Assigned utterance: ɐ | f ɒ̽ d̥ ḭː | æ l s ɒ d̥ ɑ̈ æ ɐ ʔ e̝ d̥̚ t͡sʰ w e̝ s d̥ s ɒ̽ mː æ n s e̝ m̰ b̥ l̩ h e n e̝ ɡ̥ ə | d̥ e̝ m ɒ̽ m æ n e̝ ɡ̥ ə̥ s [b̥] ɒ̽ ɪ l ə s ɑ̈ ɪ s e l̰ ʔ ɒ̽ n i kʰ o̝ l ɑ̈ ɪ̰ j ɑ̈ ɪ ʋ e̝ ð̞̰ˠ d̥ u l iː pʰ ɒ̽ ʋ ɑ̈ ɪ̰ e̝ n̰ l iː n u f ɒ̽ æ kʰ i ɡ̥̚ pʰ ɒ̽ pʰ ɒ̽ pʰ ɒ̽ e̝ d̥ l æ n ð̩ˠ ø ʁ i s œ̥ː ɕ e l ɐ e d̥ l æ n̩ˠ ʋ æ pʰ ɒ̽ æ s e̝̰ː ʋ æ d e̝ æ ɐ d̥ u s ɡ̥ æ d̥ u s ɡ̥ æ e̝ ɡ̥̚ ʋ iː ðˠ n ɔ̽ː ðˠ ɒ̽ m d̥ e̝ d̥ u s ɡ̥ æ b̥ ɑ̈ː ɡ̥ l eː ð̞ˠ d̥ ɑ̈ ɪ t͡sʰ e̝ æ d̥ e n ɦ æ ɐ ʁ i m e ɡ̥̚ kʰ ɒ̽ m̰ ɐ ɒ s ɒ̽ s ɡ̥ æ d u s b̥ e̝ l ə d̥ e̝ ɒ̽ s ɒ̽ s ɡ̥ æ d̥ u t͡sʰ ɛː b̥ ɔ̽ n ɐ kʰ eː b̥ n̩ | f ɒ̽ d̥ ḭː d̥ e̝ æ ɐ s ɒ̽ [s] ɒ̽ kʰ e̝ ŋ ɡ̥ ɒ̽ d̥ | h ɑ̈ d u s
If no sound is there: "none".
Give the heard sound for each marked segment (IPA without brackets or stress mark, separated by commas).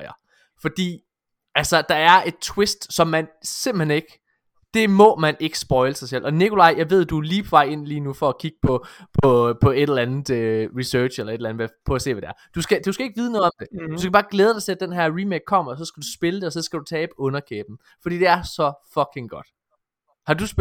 b̥, f